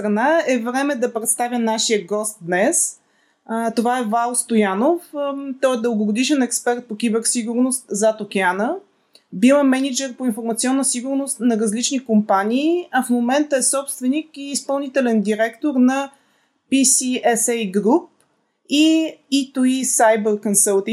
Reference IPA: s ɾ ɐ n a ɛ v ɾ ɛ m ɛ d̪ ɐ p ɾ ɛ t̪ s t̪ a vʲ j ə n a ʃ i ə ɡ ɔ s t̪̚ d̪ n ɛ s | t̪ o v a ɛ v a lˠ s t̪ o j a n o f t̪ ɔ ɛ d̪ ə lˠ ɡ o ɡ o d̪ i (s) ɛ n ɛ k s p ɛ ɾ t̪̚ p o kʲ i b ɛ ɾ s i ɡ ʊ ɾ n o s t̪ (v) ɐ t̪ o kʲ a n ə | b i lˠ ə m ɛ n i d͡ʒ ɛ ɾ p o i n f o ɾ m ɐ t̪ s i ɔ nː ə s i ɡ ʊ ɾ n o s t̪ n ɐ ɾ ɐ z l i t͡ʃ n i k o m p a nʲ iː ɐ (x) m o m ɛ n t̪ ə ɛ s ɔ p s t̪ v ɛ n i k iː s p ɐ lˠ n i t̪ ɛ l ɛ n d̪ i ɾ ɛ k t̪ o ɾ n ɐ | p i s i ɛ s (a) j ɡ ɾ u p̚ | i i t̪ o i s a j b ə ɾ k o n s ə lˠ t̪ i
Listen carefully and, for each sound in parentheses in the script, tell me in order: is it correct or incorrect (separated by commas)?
incorrect, incorrect, incorrect, incorrect